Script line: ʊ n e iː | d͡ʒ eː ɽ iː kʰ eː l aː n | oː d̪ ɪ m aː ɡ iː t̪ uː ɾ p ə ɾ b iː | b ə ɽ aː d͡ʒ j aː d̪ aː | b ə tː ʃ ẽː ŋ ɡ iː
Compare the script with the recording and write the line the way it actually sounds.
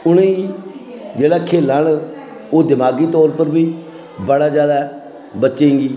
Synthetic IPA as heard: ʊ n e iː | d͡ʒ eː ɽ aː kʰ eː l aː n | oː d̪ ɪ m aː ɡ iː t̪ ɔː ɾ p ə ɾ b iː | b ə ɽ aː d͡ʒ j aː d̪ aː | b ə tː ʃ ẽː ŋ ɡ iː